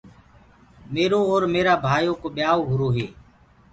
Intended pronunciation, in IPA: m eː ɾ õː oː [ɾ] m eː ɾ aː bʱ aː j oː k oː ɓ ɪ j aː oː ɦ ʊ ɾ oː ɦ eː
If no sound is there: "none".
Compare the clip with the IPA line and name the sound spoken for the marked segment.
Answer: ɾ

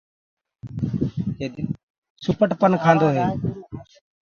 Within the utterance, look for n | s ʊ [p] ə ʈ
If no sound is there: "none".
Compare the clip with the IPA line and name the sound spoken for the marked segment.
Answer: p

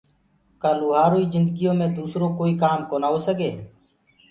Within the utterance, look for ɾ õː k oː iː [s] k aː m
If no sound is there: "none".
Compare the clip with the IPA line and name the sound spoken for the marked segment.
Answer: none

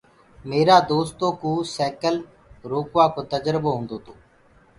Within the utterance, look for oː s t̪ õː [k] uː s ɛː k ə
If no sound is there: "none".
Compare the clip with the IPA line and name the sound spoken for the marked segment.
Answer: k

